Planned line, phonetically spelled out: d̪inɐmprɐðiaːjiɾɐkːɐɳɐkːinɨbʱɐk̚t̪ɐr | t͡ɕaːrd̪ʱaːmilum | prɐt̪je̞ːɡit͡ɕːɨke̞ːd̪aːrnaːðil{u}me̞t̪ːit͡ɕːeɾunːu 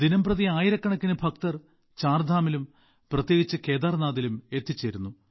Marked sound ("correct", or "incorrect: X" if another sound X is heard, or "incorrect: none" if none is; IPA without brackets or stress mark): correct